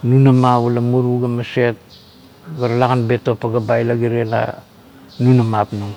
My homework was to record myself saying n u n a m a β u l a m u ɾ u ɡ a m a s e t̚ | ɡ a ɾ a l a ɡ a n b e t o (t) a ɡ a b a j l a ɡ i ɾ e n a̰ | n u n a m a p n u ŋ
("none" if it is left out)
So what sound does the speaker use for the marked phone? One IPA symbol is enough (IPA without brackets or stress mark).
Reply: p